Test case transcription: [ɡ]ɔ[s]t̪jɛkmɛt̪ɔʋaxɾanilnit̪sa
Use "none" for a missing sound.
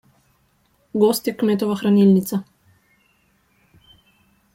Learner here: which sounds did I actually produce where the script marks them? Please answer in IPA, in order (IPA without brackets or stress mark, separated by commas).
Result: ɡ, s